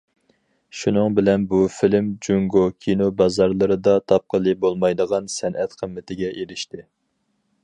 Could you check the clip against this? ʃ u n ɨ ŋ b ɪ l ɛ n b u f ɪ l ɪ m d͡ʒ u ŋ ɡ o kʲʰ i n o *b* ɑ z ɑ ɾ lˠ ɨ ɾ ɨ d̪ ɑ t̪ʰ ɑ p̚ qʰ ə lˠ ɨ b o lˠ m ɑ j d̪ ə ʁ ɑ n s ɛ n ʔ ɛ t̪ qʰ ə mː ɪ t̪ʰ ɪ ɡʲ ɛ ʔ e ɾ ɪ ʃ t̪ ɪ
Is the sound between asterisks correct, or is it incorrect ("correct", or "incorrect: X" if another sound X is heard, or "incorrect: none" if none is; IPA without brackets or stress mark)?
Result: correct